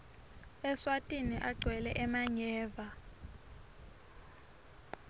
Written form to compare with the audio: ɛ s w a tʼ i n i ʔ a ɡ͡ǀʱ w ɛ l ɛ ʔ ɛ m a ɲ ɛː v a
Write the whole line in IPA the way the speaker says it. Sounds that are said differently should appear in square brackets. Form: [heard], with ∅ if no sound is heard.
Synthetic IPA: ɛ s w a tʼ i n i ʔ a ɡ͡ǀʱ w ɛ l ɛ ʔ ɛ m a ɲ ɛː v a

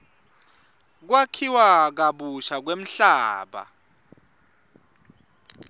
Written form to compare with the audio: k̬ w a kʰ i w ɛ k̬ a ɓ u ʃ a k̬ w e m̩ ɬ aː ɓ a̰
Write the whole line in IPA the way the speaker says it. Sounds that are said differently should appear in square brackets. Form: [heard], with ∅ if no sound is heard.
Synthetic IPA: k̬ w a kʰ i w [a] k̬ a ɓ u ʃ a k̬ w e m̩ ɬ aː ɓ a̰

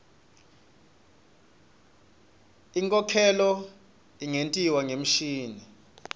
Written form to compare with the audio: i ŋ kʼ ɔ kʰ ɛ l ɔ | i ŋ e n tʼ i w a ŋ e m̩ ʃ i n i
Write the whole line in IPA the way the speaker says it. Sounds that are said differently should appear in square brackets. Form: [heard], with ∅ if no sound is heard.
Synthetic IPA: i ŋ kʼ ɔ kʰ ɛ l ɔ | i ŋ e n tʼ i w a ŋ e m̩ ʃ [iː] n i

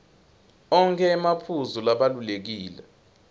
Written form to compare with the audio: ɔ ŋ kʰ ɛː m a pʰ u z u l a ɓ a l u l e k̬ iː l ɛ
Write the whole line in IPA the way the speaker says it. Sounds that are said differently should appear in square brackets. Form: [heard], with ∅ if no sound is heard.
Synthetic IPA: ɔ ŋ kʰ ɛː m a pʰ u z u l a ɓ a l u l e k̬ iː l ɛ

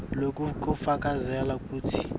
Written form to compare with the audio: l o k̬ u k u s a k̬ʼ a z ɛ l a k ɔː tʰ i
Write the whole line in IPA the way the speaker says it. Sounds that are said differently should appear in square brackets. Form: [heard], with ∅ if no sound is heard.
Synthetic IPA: l o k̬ u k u [f] a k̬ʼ a z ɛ l a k [uː] tʰ i

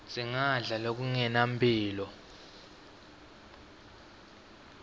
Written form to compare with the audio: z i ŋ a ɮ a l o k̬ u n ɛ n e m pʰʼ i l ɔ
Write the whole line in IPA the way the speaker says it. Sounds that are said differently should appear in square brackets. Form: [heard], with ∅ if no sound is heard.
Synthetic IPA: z i ŋ a ɮ a l o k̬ u [ŋ] ɛ n [a] m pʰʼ [iː] l ɔ

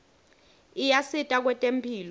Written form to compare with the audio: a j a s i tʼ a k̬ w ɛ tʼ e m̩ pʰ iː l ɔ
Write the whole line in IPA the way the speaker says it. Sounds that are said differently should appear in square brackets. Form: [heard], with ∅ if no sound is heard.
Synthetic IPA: [i] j a s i tʼ a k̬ w ɛ tʼ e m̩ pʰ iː l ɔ

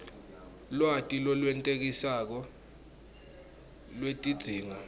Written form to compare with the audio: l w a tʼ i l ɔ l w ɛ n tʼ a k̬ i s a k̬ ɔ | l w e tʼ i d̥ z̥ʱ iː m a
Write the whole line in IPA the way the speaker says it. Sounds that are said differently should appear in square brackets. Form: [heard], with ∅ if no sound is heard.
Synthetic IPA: l w a tʼ i l ɔ l w ɛ n tʼ [e] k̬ i s a k̬ ɔ | l w e tʼ i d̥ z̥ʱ iː [ŋ] a

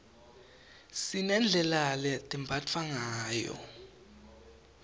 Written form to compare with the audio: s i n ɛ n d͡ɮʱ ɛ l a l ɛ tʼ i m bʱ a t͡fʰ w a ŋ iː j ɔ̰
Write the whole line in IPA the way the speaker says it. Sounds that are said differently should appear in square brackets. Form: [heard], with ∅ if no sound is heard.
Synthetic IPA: s i n ɛ n d͡ɮʱ ɛ l a l ɛ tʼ i m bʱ a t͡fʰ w a ŋ [aː] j ɔ̰

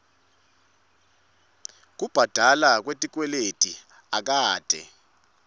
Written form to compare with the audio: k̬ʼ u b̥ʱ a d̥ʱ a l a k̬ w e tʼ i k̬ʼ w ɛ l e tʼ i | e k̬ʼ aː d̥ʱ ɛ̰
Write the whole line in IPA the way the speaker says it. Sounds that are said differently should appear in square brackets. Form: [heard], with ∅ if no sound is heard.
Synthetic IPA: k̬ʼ u b̥ʱ a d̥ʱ a l a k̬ w e tʼ i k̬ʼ w ɛ l e tʼ i | [a] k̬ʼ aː d̥ʱ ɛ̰

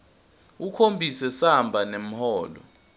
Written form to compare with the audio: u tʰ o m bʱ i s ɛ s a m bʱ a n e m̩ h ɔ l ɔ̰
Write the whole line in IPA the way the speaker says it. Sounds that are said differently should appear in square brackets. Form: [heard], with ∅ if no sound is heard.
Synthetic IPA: u [kʰ] o m bʱ i s ɛ s a m bʱ a n e m̩ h [ɔː] l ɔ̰

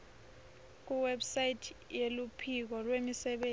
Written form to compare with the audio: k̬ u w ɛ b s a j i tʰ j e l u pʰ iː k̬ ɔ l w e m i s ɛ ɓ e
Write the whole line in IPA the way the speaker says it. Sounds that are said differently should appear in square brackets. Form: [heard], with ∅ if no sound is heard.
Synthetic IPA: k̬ u w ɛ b s a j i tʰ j e l u pʰ [i] k̬ ɔ l w e m i s ɛ ɓ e

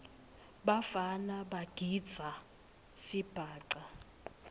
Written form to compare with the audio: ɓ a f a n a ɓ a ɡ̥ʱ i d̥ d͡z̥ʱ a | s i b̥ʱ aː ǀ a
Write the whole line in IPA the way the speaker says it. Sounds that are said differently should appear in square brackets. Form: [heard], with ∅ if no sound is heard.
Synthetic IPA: ɓ a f a n a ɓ a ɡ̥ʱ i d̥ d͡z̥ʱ a | s i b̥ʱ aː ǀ a

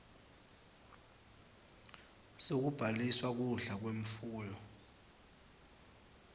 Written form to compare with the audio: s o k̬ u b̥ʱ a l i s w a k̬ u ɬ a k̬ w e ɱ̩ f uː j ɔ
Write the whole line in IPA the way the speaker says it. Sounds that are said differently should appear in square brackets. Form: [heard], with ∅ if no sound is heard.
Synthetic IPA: s o k̬ u b̥ʱ a l i s w a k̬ u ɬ a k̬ w e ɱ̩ f uː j ɔ

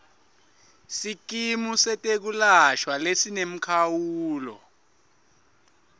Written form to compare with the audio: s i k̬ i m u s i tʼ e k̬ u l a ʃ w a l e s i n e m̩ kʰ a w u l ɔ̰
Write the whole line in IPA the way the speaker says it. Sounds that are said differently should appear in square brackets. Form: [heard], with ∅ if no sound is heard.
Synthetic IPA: s i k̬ i m u s [ɛ] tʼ e k̬ u l a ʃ w a l e s i n e m̩ kʰ a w [uː] l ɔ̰

